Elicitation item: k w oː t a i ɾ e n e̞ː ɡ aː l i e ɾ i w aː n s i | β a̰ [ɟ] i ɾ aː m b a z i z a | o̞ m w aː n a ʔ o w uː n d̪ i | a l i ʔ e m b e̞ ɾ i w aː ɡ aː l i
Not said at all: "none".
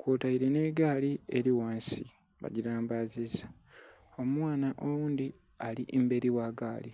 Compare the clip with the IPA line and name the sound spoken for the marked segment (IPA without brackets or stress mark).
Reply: ɟ